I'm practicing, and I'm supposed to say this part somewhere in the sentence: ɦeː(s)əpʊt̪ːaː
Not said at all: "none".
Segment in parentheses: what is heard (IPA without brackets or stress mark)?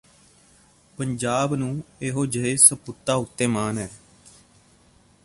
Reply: s